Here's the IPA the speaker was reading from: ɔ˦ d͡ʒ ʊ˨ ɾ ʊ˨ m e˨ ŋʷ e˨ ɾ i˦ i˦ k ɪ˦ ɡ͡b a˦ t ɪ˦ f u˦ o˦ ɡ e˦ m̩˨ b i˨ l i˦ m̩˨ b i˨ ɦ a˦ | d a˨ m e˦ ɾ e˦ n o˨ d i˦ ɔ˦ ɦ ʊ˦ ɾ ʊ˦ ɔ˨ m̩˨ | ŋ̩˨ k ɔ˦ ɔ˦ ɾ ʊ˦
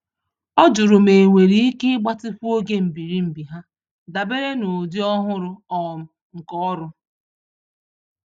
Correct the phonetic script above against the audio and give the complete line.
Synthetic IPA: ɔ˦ d͡ʒ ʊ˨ ɾ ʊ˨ m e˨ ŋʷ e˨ ɾ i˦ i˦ k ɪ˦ ɡ͡b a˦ t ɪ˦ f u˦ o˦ ɡ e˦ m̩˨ b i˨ ɾ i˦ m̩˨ b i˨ ɦ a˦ | d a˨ b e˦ ɾ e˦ n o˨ d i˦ ɔ˦ ɦ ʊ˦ ɾ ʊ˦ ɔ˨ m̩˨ | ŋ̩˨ k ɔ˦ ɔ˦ ɾ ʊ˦

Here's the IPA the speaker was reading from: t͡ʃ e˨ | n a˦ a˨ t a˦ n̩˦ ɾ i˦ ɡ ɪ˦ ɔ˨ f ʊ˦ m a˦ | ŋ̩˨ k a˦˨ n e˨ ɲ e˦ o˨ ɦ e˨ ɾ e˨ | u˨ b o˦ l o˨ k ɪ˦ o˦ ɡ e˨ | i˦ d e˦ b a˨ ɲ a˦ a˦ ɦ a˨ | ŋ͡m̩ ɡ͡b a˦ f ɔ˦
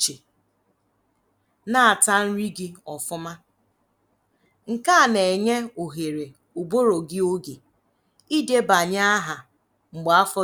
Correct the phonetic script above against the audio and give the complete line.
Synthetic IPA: t͡ʃ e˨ | n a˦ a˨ t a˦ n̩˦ ɾ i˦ ɡ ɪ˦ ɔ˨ f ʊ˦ m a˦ | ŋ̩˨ k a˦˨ n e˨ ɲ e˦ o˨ ɦ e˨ ɾ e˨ | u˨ b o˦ ɾ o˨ ɡ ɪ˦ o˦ ɡ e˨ | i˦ d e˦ b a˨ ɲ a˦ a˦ ɦ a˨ | ŋ͡m̩ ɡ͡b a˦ f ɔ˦

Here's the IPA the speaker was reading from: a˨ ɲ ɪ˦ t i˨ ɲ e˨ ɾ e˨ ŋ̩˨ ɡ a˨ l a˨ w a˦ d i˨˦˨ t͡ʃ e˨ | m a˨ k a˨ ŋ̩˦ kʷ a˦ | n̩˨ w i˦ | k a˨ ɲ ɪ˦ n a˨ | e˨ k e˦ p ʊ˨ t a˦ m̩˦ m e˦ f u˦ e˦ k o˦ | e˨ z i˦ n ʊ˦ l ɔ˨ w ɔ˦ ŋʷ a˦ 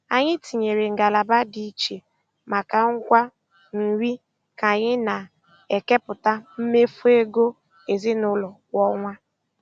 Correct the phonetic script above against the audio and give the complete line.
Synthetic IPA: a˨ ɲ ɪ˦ t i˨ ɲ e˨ ɾ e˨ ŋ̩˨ ɡ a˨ l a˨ b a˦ d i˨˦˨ t͡ʃ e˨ | m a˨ k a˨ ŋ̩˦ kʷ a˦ | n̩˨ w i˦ | k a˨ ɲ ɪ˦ n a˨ | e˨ k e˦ p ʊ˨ t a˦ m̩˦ m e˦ f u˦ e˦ ɡ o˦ | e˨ z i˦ n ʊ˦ l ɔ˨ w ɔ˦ ŋʷ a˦

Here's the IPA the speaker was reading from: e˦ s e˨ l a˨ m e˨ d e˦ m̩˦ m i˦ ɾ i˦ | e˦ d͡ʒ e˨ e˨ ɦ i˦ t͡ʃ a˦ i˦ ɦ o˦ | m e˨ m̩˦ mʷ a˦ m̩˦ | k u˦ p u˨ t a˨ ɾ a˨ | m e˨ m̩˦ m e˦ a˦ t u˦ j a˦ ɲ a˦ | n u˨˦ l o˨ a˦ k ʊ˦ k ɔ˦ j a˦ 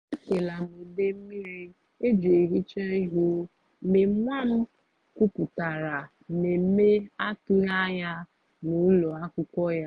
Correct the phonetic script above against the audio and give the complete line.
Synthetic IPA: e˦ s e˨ l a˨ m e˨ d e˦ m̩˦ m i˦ ɾ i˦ | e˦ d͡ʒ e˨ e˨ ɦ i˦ t͡ʃ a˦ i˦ ɦ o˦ | m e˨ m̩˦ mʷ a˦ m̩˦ | k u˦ p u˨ t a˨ ɾ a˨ | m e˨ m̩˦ m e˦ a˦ t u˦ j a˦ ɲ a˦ | n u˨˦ l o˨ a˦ k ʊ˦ k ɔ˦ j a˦

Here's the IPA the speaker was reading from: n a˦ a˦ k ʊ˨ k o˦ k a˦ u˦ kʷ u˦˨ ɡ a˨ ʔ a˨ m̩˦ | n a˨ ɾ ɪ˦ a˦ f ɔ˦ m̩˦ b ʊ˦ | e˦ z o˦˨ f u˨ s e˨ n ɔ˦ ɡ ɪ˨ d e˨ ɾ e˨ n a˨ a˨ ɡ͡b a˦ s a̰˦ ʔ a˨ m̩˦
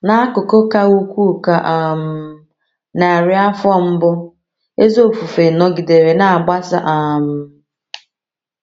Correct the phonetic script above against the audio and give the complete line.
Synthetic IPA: n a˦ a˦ k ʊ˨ k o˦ k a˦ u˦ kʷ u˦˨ k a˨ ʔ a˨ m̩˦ | n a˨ ɾ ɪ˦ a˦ f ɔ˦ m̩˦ b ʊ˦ | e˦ z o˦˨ f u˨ f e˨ n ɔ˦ ɡ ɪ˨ d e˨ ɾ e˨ n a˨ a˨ ɡ͡b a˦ s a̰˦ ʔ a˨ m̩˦

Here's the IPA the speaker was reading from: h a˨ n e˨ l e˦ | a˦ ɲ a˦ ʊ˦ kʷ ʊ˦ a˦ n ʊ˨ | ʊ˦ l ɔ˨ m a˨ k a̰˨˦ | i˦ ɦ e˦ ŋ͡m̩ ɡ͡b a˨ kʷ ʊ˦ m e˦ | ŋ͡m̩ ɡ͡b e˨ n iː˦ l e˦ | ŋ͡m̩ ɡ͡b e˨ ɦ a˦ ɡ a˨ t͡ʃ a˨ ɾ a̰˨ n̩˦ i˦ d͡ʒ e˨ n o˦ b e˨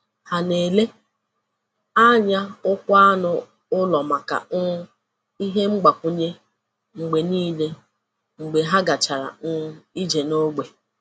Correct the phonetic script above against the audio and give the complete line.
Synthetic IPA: h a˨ n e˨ l e˦ | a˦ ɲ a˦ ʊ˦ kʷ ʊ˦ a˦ n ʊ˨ | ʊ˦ l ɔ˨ m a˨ k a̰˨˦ | i˦ ɦ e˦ ŋ͡m̩ ɡ͡b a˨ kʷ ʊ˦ ɲ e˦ | ŋ͡m̩ ɡ͡b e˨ n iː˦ l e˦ | ŋ͡m̩ ɡ͡b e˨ ɦ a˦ ɡ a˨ t͡ʃ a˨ ɾ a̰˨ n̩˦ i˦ d͡ʒ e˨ n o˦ ɡ͡b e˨

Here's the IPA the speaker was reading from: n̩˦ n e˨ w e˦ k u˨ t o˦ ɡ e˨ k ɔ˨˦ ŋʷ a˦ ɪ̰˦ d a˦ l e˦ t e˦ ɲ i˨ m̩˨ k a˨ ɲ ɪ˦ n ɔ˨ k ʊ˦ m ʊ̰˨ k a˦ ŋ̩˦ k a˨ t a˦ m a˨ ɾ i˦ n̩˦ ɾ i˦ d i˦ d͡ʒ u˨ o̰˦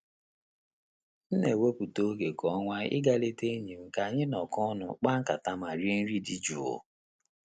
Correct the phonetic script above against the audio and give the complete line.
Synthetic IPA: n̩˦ n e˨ w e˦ p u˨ t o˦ ɡ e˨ k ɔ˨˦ ŋʷ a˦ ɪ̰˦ ɡ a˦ l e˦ t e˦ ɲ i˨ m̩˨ k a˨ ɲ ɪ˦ n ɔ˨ k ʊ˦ n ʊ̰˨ k͡p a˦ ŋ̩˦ k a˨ t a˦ m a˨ ɾ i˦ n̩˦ ɾ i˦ d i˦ d͡ʒ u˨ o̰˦

